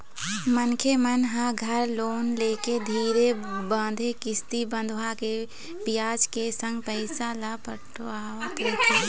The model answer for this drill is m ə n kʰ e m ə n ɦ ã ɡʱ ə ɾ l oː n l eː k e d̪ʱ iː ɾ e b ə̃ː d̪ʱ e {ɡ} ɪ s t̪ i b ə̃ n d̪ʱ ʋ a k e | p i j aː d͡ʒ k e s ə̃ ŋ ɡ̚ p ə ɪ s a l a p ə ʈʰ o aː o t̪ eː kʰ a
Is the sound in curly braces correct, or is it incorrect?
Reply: incorrect